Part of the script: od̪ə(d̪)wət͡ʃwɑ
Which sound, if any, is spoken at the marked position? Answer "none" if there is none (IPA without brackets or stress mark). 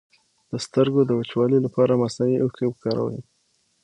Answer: none